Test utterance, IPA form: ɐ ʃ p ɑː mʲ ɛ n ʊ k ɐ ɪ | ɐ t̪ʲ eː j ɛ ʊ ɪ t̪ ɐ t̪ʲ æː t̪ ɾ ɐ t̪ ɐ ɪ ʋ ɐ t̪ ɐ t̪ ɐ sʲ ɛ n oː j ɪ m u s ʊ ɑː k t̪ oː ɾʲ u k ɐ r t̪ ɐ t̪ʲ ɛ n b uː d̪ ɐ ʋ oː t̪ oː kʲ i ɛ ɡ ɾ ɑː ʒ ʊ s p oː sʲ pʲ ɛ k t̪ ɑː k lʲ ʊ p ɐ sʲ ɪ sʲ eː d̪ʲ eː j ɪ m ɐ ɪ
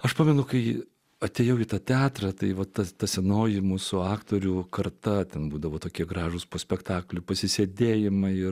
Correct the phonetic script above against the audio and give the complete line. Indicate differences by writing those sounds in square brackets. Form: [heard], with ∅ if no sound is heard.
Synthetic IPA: ɐ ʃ p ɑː mʲ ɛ n ʊ k ɐ ɪ | ɐ t̪ʲ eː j ɛ ʊ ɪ t̪ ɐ t̪ʲ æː t̪ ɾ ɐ t̪ ɐ ɪ ʋ ɐ t̪ ɐ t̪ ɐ sʲ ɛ n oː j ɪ m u s ʊ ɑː k t̪ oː ɾʲ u k ɐ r t̪ ɐ t̪ʲ ɛ n b uː d̪ ɐ ʋ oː t̪ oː kʲ i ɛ ɡ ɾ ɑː ʒ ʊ s p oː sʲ pʲ ɛ k t̪ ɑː k lʲ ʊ p ɐ sʲ ɪ sʲ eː d̪ʲ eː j ɪ m ɐ ɪ

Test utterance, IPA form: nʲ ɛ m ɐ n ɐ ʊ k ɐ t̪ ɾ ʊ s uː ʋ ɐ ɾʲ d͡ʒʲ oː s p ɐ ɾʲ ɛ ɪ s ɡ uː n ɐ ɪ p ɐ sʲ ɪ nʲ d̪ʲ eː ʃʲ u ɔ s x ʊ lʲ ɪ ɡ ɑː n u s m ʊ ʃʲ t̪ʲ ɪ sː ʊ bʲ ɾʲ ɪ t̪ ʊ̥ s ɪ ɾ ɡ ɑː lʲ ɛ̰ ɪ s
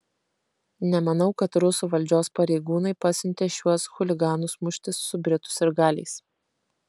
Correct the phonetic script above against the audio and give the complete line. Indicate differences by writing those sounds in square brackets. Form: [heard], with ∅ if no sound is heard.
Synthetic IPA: nʲ ɛ m ɐ n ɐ ʊ k ɐ t̪ ɾ ʊ s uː ʋ ɐ [lʲ] d͡ʒʲ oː s p ɐ ɾʲ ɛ ɪ [∅] ɡ uː n ɐ ɪ p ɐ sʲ ɪ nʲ [t̪ʲ] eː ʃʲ u ɔ s x ʊ lʲ ɪ ɡ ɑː n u s m ʊ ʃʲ t̪ʲ ɪ sː ʊ bʲ ɾʲ ɪ t̪ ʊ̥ s ɪ ɾ ɡ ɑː lʲ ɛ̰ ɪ s

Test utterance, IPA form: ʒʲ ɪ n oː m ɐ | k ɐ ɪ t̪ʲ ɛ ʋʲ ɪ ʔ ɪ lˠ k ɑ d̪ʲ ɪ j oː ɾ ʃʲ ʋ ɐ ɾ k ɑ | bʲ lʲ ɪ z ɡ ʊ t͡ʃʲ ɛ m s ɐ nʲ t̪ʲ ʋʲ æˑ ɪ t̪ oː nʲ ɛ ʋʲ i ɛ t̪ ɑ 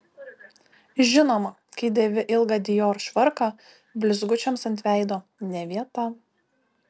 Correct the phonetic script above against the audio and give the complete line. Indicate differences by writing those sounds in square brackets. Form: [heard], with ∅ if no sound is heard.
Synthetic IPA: ʒʲ ɪ n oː m ɐ | k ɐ ɪ [d̪ʲ] ɛ ʋʲ ɪ ʔ ɪ lˠ [ɡ] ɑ d̪ʲ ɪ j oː ɾ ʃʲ ʋ ɐ ɾ k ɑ | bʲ lʲ ɪ z ɡ ʊ t͡ʃʲ ɛ m s ɐ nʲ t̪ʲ ʋʲ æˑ ɪ [d̪] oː nʲ ɛ ʋʲ i ɛ t̪ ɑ

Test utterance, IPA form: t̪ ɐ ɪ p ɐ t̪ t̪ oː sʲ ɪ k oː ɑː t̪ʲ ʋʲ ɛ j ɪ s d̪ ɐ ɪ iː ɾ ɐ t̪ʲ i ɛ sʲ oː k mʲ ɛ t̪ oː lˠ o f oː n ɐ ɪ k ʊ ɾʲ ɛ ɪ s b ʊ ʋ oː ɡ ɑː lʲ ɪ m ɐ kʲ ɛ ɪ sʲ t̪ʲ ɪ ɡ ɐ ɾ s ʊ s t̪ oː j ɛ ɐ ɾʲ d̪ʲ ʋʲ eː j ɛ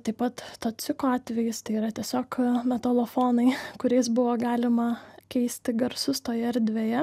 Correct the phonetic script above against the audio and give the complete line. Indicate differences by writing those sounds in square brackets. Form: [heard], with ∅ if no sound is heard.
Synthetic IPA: t̪ ɐ ɪ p ɐ t̪ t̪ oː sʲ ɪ k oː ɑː t̪ʲ ʋʲ ɛ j ɪ s [t̪] ɐ ɪ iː ɾ ɐ t̪ʲ i ɛ sʲ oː k mʲ ɛ t̪ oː lˠ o f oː n ɐ ɪ k ʊ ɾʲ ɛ ɪ s b ʊ ʋ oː ɡ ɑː lʲ ɪ m ɐ kʲ ɛ ɪ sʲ t̪ʲ ɪ ɡ ɐ ɾ s ʊ s t̪ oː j ɛ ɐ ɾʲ d̪ʲ ʋʲ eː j ɛ

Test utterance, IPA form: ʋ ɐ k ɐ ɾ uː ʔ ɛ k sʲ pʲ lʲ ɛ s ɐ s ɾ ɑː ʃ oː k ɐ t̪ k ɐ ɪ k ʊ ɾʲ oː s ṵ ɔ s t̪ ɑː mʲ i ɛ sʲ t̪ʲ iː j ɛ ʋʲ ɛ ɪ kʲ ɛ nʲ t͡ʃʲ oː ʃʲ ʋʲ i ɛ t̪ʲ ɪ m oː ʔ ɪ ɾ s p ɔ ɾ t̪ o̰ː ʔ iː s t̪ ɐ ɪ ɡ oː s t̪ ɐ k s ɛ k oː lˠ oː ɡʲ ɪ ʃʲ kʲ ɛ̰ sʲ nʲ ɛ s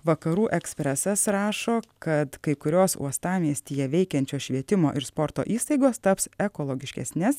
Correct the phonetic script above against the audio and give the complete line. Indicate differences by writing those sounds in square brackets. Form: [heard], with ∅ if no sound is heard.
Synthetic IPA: ʋ ɐ k ɐ ɾ uː ʔ ɛ k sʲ pʲ [ɾʲ] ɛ s ɐ s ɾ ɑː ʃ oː k ɐ t̪ k ɐ ɪ k ʊ ɾʲ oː s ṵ ɔ s t̪ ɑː mʲ i ɛ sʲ t̪ʲ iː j ɛ ʋʲ ɛ ɪ kʲ ɛ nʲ t͡ʃʲ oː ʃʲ ʋʲ i ɛ t̪ʲ ɪ m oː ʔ ɪ ɾ s p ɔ ɾ t̪ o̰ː ʔ iː s t̪ ɐ ɪ ɡ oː s t̪ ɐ [p] s ɛ k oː lˠ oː ɡʲ ɪ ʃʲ kʲ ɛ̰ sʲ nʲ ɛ s

